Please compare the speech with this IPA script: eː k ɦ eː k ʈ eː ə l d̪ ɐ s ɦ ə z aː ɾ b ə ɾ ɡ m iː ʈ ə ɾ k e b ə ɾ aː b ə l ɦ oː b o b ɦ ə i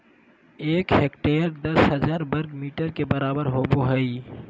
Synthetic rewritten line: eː k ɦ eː k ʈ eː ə ɾ d̪ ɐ s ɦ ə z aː ɾ b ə ɾ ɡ m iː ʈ ə ɾ k e b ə ɾ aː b ə ɾ ɦ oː b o ɦ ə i